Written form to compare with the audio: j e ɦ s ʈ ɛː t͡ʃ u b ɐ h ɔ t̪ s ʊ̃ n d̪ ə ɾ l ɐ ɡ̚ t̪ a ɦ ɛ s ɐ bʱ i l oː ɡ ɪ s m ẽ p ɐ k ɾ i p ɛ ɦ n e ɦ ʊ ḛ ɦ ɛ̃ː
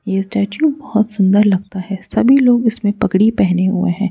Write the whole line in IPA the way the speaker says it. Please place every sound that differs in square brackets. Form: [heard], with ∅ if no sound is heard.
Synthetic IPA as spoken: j e [∅] s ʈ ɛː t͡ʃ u b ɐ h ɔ t̪ s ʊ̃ n d̪ ə ɾ l ɐ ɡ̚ t̪ a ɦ ɛ s ɐ bʱ i l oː ɡ ɪ s m ẽ p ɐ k [ɽ] i p ɛ ɦ n e ɦ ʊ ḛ ɦ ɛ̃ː